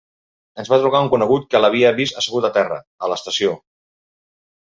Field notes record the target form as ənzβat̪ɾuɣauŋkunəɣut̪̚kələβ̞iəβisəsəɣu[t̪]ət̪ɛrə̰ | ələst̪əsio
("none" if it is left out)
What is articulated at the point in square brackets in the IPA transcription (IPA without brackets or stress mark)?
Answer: t̪